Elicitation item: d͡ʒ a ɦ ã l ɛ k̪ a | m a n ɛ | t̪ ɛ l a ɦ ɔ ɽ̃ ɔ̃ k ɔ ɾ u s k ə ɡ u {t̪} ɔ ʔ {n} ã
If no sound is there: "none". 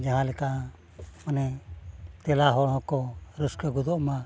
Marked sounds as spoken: d̪, m

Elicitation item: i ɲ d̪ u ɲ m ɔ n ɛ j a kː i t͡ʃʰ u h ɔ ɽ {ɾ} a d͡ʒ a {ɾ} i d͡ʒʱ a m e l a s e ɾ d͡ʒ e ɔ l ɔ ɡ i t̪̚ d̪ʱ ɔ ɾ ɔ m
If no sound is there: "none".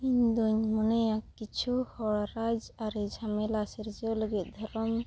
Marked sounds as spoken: ɾ, ɾ

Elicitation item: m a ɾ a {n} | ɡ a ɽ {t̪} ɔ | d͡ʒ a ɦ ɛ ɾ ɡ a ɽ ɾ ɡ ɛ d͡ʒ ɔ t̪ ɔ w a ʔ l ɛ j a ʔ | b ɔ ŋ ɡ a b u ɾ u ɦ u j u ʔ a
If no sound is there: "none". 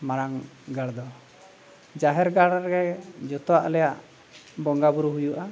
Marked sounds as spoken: ŋ, d̪

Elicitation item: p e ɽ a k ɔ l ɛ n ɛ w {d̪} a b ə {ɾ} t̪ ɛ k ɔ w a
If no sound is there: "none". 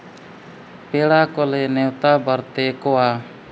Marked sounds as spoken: t̪, ɾ

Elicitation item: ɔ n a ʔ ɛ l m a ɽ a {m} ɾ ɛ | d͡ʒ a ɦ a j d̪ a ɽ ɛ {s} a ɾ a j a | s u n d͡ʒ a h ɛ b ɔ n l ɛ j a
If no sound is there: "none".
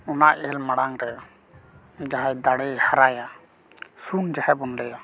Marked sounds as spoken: ŋ, h

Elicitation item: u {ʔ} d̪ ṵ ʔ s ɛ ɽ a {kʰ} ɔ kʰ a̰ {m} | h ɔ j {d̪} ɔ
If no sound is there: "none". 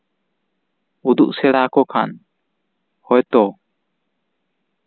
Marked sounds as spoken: none, k, n, t̪

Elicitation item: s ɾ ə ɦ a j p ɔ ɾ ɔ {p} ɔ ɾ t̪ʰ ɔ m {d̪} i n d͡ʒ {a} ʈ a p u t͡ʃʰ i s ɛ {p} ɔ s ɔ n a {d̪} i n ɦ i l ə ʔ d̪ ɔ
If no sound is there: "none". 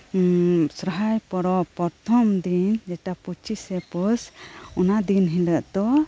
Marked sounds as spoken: p, d̪, ɛ, p, d̪

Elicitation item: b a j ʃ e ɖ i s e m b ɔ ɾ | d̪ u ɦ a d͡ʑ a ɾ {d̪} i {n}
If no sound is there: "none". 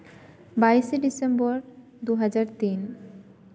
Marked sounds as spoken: t̪, n

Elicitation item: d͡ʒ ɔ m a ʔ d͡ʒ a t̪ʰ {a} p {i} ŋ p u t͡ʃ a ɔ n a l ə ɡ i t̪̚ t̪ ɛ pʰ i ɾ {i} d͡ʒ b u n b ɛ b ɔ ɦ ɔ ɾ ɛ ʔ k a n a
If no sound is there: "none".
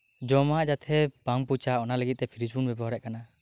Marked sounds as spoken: ɛ, a, i

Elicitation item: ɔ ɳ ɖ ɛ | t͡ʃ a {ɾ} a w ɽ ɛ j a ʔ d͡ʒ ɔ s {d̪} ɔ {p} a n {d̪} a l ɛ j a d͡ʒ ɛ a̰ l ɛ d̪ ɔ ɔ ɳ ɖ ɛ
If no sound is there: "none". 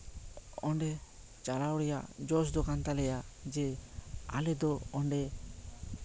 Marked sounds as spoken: l, d̪, k, t̪

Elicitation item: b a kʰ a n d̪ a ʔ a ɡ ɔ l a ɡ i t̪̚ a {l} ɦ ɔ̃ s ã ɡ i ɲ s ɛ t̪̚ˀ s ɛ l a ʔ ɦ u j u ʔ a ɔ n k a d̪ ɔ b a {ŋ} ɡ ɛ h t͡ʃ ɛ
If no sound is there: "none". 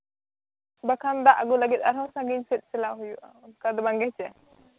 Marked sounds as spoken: ɾ, ŋ

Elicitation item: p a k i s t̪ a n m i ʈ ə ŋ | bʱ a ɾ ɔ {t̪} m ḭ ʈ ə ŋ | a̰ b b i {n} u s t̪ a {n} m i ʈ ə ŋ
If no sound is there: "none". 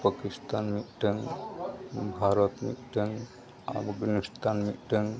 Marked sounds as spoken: t̪, n, n

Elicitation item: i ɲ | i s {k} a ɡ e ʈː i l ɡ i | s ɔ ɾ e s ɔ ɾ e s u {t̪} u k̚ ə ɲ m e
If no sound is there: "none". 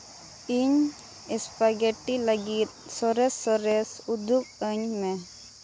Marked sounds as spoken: p, d̪

